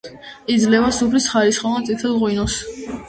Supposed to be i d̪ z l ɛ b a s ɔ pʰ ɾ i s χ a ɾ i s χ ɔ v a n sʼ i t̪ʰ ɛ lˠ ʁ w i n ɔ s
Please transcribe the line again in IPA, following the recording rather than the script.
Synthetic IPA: i d̪ z l ɛ v a s u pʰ l i s χ a ɾ i s χ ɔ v a n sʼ i t̪ʰ ɛ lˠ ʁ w i n ɔ s